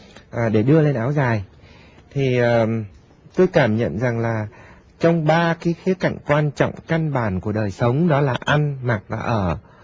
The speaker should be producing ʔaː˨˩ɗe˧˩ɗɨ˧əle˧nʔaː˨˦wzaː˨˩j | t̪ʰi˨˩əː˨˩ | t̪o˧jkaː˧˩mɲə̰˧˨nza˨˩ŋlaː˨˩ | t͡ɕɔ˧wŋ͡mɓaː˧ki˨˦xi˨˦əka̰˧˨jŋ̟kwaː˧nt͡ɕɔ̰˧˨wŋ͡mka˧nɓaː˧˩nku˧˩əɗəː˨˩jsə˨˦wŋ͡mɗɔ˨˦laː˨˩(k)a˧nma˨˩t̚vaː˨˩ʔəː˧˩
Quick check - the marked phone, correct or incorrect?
incorrect